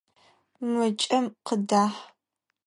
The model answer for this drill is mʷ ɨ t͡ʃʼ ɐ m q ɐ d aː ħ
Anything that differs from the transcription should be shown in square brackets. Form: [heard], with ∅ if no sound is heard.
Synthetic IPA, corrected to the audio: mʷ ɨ t͡ʃʼ ɐ m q [ə] d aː ħ